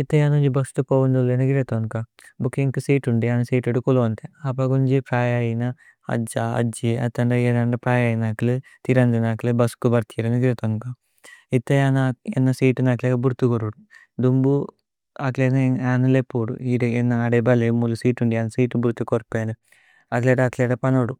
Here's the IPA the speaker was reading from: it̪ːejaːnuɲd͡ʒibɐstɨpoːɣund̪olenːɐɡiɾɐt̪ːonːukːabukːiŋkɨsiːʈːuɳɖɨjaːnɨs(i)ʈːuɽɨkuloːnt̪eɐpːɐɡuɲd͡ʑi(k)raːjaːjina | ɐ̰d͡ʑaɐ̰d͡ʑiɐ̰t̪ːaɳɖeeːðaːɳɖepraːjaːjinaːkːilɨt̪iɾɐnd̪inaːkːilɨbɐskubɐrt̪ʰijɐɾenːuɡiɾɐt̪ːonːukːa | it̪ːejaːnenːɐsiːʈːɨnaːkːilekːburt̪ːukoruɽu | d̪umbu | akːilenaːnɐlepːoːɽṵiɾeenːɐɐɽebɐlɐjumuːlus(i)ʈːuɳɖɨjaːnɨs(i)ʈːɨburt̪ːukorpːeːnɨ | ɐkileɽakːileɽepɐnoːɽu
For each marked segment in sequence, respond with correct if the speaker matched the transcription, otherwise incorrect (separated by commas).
incorrect, incorrect, incorrect, incorrect